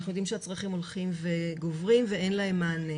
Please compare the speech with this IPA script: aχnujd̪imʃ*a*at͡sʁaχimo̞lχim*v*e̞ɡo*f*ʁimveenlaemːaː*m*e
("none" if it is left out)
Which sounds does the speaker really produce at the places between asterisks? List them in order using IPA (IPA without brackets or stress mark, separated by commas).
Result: e, v, v, n